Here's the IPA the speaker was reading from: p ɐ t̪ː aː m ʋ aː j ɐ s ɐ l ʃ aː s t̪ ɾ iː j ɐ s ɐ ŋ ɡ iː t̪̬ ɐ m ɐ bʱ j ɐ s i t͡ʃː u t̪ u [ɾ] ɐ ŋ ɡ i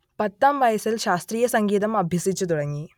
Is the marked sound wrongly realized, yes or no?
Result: yes